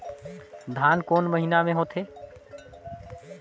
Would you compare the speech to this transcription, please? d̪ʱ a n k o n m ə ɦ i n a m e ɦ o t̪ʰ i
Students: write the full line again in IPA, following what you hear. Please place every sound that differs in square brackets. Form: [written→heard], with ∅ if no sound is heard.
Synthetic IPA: d̪ʱ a n k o n m ə ɦ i n a m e ɦ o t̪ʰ [i→e]

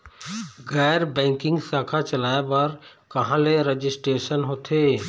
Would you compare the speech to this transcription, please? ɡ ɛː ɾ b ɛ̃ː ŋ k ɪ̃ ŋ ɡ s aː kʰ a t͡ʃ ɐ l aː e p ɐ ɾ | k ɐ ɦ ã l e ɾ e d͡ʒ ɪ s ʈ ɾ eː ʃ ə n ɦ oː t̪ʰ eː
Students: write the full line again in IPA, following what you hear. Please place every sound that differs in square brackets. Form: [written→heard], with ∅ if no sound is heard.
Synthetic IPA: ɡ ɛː ɾ b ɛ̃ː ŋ k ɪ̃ ŋ ɡ s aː kʰ a t͡ʃ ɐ l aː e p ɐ ɾ | k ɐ ɦ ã l e ɾ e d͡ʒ ɪ s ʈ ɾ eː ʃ ə n ɦ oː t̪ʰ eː

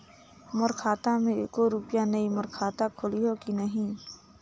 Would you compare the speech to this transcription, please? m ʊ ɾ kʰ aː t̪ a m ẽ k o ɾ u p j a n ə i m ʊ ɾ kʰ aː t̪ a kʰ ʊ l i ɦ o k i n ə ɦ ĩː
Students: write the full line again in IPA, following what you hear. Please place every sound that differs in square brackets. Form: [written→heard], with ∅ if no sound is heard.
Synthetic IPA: m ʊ ɾ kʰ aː t̪ a m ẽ k o ɾ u p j a n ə i m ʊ ɾ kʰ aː t̪ a kʰ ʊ l i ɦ o k i n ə ɦ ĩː

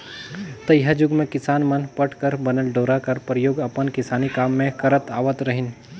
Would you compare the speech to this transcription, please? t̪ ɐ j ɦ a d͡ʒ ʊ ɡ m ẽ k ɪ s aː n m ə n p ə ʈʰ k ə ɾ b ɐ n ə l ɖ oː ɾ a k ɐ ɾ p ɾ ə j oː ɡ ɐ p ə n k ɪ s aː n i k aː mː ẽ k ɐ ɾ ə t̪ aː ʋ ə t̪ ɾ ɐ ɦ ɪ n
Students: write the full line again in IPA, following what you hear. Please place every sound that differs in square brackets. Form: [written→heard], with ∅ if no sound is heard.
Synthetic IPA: t̪ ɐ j ɦ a d͡ʒ ʊ ɡ m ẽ k ɪ s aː n m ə n p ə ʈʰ k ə ɾ b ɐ n ə l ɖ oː ɾ a k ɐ ɾ p ɾ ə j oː ɡ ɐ p ə n k ɪ s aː n i k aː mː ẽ k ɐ ɾ ə t̪ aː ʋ ə t̪ ɾ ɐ ɦ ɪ n

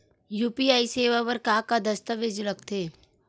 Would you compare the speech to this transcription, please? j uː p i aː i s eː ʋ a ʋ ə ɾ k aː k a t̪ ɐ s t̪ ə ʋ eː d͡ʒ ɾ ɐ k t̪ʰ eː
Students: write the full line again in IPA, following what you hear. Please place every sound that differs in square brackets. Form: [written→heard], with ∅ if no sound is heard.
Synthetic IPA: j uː p i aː i s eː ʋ a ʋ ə ɾ k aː k a [t̪→d̪] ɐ s t̪ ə ʋ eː d͡ʒ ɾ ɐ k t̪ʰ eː

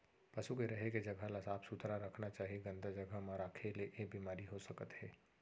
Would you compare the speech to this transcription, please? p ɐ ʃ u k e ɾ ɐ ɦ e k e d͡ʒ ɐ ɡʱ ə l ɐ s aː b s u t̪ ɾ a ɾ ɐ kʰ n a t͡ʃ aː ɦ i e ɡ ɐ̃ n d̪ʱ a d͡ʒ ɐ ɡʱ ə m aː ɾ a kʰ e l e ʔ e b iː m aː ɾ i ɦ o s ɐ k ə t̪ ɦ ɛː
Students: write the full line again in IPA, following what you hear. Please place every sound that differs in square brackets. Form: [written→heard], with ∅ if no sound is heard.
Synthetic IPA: p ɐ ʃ u k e ɾ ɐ ɦ e k e d͡ʒ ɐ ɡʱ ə l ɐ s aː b s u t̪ ɾ a ɾ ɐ kʰ n a t͡ʃ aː ɦ i e ɡ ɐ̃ n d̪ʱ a d͡ʒ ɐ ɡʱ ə m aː ɾ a kʰ e l e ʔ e b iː m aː ɾ i ɦ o s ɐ k ə t̪ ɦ ɛː

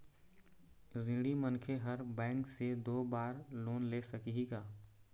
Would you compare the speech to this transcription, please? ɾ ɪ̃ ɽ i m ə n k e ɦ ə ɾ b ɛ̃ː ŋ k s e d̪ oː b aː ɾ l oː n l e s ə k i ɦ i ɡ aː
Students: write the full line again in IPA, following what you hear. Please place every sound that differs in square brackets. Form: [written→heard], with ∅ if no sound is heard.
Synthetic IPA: ɾ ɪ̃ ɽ i m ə n [k→kʰ] e ɦ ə ɾ b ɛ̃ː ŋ k s e d̪ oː b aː ɾ l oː n l e s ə k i ɦ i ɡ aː

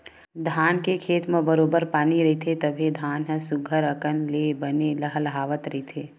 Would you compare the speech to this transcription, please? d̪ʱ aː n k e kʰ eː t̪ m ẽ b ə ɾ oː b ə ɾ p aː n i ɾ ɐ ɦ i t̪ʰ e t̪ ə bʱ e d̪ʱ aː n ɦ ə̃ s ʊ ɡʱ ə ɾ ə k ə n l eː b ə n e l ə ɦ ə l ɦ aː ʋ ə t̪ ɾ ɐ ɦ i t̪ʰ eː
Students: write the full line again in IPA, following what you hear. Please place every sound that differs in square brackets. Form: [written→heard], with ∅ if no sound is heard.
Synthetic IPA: d̪ʱ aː n k e kʰ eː t̪ m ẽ b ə ɾ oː b ə ɾ p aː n i ɾ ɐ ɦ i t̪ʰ e t̪ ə bʱ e d̪ʱ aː n ɦ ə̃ s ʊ ɡʱ ə ɾ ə k ə n l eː b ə n e l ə ɦ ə l ɦ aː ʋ ə t̪ ɾ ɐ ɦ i t̪ʰ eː

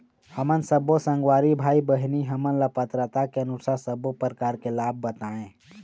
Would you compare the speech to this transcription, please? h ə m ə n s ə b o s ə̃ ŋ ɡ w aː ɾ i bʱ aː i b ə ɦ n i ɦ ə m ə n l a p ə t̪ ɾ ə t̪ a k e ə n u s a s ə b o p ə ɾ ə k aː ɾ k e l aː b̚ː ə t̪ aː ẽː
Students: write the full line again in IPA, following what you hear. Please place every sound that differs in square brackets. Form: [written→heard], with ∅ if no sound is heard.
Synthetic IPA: h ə m ə n s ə b o s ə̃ ŋ ɡ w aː ɾ i bʱ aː i b ə ɦ n i ɦ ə m ə n l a p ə t̪ ɾ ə t̪ a k e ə n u s a s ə b o p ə ɾ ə k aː ɾ k e l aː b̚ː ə t̪ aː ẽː

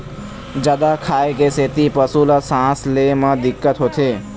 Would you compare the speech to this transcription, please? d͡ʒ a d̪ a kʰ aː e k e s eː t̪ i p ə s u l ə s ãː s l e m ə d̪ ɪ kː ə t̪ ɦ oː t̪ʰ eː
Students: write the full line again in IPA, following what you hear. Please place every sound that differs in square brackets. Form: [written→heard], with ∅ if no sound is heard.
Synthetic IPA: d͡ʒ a d̪ a kʰ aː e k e s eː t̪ i p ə s u l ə s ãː s l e m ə d̪ ɪ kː ə t̪ ɦ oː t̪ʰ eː

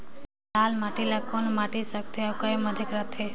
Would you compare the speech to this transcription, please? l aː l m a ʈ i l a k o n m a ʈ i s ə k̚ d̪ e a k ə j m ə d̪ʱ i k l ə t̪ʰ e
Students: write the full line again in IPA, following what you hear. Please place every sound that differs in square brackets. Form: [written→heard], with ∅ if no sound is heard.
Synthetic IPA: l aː l m a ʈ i l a k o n m a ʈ i s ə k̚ [d̪→t̪] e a k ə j m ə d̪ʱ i k [l→ɾ] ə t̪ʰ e

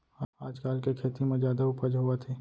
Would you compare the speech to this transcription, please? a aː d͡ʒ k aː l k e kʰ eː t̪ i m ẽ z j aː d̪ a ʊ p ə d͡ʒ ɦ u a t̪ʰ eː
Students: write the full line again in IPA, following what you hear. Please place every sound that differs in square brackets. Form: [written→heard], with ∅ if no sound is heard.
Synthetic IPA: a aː d͡ʒ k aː l k e kʰ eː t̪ i m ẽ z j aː d̪ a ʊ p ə d͡ʒ ɦ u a t̪ʰ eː

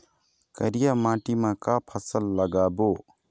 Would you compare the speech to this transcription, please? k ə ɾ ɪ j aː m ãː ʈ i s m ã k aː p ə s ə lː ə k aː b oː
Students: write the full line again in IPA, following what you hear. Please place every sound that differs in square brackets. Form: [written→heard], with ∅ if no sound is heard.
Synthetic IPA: k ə ɾ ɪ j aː m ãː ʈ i [s→∅] m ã k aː [p→pʰ] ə s ə lː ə [k→ɡ] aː b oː

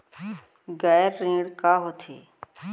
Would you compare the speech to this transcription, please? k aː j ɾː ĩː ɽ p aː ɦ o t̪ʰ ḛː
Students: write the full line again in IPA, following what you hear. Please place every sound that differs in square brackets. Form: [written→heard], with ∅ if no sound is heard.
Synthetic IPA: [k→ɡ] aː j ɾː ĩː ɽ [p→k] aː ɦ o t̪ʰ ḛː

